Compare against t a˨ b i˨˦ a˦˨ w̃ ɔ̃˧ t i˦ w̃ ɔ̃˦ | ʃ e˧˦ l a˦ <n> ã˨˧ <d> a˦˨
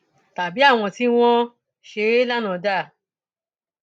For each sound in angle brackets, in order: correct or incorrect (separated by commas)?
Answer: correct, correct